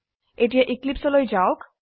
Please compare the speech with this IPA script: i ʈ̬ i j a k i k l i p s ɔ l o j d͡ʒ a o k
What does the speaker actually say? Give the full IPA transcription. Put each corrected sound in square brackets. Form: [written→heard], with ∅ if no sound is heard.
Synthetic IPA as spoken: [i→e] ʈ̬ i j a [k→ʔ] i k l i p s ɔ l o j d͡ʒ a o k

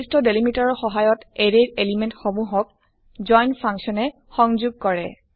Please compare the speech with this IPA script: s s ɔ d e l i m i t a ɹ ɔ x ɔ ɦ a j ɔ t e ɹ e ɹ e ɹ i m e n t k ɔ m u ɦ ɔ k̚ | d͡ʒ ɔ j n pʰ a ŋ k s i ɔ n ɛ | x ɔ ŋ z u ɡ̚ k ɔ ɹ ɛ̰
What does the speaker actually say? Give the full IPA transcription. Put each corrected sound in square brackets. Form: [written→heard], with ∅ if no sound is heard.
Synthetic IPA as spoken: s [s→t] ɔ d e l i m i t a ɹ ɔ x ɔ ɦ a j ɔ t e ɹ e ɹ e [ɹ→l] i m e n t [k→x] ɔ m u ɦ ɔ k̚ | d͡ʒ ɔ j n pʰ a ŋ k s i ɔ n ɛ | x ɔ ŋ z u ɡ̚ k ɔ ɹ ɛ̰

